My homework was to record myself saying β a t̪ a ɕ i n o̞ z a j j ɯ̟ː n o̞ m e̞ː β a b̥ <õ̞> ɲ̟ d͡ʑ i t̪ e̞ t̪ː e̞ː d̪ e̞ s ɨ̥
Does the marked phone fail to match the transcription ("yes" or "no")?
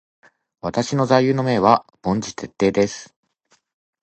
no